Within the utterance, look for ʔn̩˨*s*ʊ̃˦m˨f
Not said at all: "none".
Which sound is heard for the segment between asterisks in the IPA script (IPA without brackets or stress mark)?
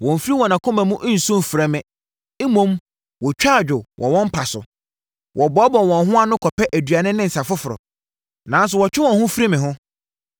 s